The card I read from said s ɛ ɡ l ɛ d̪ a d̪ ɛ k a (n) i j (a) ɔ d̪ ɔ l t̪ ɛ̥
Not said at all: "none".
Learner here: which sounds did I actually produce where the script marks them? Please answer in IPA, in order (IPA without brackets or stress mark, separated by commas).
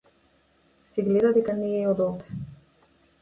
n, ɛ